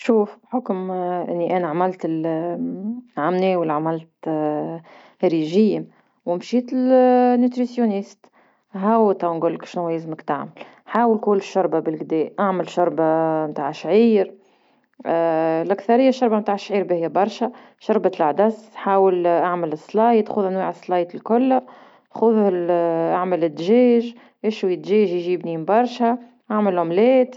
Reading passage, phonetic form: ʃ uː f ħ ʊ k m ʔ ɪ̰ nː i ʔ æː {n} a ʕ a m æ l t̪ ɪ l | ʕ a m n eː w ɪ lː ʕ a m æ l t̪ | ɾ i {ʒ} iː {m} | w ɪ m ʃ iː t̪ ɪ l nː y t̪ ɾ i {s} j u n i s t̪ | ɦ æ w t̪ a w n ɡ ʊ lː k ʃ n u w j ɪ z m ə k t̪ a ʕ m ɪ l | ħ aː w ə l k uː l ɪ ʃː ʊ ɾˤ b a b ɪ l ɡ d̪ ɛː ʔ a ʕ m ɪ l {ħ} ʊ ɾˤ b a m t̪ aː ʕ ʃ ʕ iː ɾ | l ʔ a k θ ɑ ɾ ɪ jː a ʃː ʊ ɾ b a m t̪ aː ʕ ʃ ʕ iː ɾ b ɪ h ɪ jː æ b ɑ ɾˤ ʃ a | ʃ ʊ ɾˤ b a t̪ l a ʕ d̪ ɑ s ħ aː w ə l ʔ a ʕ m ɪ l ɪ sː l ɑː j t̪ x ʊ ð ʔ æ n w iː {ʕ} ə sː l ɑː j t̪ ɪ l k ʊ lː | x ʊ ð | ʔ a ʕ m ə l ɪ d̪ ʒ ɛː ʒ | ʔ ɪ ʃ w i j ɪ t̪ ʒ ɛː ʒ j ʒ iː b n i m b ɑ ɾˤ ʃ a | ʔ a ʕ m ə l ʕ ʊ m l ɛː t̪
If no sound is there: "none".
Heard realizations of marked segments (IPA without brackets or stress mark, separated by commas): n, ʒ, m, s, ʃ, ʕ